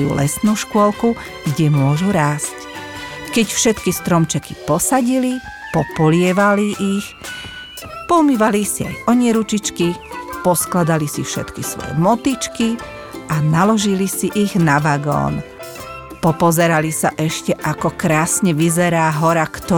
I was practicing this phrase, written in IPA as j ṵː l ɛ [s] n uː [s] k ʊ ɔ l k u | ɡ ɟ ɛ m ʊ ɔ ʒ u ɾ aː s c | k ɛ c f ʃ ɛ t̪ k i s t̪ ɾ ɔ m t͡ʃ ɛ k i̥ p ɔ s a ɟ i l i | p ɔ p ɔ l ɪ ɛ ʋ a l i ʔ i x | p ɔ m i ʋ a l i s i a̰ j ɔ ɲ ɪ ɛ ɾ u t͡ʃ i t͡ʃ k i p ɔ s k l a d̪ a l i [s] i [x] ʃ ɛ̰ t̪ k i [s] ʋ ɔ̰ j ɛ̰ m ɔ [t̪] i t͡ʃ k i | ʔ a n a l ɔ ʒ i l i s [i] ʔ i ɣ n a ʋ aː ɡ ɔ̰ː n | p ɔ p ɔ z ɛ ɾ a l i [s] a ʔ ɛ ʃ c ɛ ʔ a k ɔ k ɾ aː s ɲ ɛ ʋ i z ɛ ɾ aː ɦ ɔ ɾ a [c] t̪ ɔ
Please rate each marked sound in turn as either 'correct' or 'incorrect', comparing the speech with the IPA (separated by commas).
correct, incorrect, correct, incorrect, correct, correct, correct, correct, incorrect